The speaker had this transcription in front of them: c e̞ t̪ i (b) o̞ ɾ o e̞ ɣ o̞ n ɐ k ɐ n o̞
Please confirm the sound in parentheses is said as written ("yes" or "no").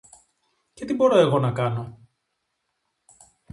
yes